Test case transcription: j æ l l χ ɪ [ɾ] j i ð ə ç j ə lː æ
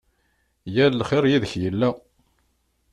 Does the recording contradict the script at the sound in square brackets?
no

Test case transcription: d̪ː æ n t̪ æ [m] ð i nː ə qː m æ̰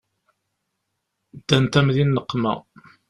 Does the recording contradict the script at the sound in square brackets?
no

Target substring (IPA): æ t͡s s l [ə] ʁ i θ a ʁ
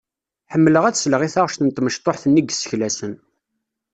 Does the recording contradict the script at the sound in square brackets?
no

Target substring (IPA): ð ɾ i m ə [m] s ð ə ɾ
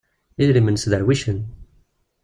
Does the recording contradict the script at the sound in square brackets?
yes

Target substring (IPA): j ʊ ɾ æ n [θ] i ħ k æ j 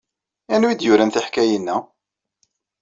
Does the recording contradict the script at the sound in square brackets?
no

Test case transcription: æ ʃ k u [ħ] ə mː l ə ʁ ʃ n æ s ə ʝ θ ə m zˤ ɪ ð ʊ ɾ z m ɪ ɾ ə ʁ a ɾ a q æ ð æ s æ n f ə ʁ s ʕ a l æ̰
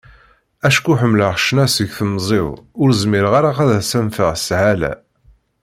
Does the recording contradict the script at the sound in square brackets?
no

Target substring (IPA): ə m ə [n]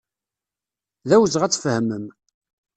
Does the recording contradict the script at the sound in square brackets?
yes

